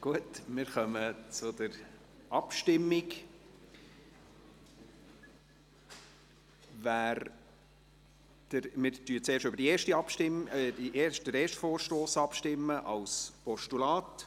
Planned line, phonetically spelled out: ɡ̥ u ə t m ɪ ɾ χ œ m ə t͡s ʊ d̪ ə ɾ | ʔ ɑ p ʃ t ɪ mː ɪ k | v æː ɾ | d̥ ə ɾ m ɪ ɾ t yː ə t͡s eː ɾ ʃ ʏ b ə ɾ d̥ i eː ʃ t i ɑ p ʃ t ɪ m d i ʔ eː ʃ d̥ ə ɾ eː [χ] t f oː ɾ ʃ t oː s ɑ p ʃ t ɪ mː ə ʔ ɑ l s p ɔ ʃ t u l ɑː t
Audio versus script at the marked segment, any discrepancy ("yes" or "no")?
yes